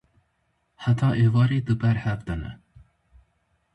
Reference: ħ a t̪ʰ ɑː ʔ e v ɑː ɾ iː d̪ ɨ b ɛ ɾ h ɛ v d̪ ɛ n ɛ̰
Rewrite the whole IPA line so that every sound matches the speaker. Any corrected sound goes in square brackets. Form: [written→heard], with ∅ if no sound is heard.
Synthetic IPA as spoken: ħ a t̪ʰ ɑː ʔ e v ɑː ɾ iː d̪ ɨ b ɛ ɾ h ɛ v d̪ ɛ n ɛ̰

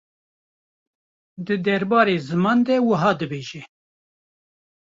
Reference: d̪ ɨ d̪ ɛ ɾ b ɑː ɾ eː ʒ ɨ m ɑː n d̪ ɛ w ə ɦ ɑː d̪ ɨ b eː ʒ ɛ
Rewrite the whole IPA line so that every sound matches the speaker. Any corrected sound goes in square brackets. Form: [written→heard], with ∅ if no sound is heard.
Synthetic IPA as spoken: d̪ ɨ d̪ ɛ ɾ b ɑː ɾ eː [ʒ→z] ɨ m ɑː n d̪ ɛ w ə ɦ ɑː d̪ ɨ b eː ʒ ɛ

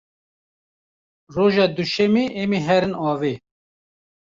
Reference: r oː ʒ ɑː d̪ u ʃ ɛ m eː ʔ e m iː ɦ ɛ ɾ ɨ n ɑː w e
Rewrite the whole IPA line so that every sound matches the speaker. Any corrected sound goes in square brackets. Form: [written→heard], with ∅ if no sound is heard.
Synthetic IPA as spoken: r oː ʒ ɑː d̪ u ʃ ɛ m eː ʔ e m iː ɦ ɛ ɾ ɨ n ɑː [w→v] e

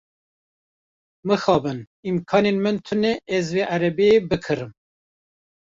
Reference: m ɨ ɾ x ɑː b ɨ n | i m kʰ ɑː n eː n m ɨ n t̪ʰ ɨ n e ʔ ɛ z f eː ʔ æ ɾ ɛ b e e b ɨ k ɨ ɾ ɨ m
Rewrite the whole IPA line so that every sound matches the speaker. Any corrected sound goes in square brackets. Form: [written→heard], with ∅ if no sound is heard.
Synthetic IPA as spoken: m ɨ [ɾ→∅] x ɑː b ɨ n | i m kʰ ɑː n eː n m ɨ n t̪ʰ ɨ n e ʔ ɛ z [f→v] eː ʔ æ ɾ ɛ b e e b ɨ [k→kʰ] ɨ ɾ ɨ m

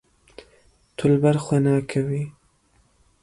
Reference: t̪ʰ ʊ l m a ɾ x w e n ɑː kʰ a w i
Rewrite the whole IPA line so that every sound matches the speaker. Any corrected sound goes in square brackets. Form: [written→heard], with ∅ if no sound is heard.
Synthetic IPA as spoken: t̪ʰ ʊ l [m→b] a ɾ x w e n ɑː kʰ a w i

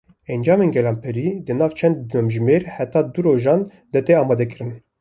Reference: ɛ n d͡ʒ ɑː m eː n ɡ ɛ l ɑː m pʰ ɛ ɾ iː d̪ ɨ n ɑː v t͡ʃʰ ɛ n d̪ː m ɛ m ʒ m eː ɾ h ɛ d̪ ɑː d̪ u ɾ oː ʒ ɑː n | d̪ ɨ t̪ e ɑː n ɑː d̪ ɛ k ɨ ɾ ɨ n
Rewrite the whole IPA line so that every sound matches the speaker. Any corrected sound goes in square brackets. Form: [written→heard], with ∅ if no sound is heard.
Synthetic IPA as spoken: ɛ n d͡ʒ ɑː m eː n ɡ ɛ l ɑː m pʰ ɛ ɾ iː d̪ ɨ n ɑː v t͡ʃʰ ɛ n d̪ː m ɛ m ʒ m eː ɾ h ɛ [d̪→t̪] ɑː d̪ u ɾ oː ʒ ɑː n | d̪ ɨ t̪ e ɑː [n→m] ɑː d̪ ɛ k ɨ ɾ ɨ n

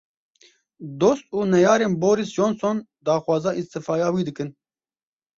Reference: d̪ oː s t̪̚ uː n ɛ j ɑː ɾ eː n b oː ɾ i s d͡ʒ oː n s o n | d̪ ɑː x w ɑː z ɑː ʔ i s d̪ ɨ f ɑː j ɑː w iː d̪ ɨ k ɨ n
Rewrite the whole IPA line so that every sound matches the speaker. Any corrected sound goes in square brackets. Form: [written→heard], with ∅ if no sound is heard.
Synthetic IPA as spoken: d̪ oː s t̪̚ uː n ɛ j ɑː ɾ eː n b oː ɾ i s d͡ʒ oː n s o n | d̪ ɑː x w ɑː z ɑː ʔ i s [d̪→t̪] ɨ f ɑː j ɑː w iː d̪ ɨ k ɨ n

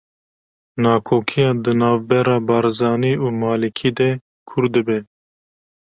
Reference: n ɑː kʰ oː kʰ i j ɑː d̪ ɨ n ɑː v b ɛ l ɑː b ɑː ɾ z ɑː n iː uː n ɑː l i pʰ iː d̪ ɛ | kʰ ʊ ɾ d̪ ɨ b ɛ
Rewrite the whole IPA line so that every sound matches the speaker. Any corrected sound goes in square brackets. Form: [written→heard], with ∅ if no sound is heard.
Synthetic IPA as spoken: n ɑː kʰ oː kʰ i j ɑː d̪ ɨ n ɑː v b ɛ [l→ɾ] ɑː b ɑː ɾ z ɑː n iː uː [n→m] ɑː l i [pʰ→kʰ] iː d̪ ɛ | kʰ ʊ ɾ d̪ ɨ b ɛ

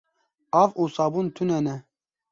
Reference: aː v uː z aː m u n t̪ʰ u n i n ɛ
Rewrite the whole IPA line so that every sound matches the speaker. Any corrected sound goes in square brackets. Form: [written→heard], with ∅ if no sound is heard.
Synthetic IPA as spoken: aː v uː [z→s] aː [m→b] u n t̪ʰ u n [i→ɛ] n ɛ

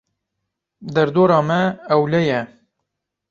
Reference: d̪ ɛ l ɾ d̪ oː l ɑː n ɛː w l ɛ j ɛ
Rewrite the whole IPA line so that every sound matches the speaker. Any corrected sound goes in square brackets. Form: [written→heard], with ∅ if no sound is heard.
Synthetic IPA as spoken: d̪ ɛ [l→∅] ɾ d̪ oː [l→ɾ] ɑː [n→m] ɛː w l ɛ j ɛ

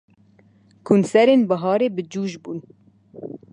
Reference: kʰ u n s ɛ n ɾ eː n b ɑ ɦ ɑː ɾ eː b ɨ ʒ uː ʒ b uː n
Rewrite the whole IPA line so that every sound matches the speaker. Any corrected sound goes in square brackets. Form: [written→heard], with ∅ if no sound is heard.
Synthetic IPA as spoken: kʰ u n s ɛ [n→∅] ɾ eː n b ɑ ɦ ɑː ɾ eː b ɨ [ʒ→d͡ʒ] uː ʒ b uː n

